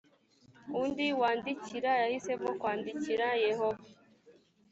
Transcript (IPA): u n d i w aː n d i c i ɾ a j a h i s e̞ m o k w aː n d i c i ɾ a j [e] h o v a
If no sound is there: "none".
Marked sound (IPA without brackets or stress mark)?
e